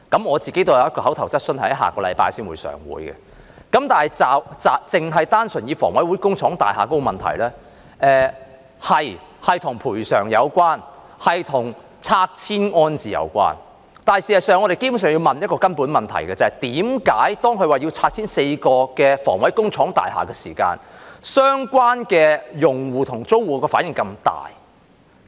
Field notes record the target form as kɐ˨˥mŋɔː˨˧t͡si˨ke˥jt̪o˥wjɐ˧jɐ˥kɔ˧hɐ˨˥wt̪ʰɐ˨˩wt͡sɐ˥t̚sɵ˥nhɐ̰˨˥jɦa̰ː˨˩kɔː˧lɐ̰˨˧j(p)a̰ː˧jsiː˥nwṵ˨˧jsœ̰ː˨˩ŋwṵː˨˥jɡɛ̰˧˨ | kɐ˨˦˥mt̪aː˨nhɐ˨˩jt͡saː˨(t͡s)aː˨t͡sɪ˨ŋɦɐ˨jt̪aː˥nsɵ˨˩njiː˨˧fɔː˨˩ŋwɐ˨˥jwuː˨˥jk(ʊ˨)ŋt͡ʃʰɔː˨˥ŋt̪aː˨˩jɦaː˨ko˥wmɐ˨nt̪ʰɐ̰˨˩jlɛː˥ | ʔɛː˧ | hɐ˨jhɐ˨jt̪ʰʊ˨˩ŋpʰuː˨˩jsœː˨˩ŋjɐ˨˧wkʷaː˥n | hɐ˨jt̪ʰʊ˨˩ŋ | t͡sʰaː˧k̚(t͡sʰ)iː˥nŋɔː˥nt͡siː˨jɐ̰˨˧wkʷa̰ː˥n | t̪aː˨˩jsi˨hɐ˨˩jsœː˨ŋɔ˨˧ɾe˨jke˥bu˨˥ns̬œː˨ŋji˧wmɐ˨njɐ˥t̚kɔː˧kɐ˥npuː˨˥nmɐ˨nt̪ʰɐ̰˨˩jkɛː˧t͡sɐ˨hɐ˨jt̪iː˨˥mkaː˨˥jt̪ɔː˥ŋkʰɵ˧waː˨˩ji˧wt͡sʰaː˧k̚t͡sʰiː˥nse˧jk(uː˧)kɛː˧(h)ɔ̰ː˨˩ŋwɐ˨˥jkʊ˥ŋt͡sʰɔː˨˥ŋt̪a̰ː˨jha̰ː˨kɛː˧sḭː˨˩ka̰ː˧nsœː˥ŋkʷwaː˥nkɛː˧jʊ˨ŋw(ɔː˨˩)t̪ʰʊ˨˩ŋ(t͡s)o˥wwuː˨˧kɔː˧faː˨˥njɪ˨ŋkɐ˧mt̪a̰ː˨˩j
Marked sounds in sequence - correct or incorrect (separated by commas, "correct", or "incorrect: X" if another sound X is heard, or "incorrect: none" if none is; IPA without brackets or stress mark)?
correct, correct, incorrect: ʊ˥, correct, incorrect: ɔː˧, incorrect: f, incorrect: uː˨˩, correct